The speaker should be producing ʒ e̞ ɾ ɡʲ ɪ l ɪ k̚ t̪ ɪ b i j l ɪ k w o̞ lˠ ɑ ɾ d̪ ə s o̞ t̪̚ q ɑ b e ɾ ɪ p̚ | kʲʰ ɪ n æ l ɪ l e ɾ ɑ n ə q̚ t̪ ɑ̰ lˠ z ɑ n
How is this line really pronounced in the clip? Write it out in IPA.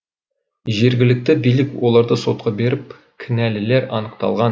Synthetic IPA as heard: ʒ e̞ ɾ ɡʲ ɪ l ɪ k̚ t̪ ɪ b i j l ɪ k w o̞ lˠ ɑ ɾ d̪ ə s o̞ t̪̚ q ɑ b e ɾ ɪ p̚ | kʲʰ ɪ n æ l ɪ l e ɾ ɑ n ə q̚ t̪ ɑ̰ lˠ ʁ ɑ n